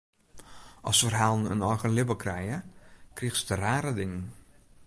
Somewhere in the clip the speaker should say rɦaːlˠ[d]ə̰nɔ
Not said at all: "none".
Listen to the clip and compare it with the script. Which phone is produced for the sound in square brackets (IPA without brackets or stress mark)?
n